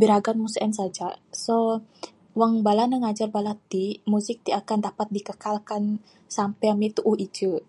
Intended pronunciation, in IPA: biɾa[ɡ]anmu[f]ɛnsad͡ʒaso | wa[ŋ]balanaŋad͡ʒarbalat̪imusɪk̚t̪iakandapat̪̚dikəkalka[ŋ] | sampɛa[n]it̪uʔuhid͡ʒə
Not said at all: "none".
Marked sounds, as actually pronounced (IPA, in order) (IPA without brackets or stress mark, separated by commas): ɡ, s, ŋ, n, m